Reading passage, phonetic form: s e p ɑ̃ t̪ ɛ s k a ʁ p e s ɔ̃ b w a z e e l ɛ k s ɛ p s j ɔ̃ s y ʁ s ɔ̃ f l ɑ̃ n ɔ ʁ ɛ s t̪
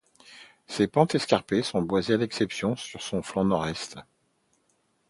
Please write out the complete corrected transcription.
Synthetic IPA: s e p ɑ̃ t̪ ɛ s k a ʁ p e s ɔ̃ b w a z e a l ɛ k s ɛ p s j ɔ̃ s y ʁ s ɔ̃ f l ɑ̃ n ɔ ʁ ɛ s t̪